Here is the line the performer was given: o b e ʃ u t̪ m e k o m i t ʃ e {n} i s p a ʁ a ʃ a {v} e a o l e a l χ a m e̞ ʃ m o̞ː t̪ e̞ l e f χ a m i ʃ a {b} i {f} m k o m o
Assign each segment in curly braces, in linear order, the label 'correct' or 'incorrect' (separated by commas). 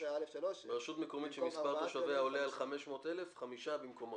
incorrect, correct, correct, incorrect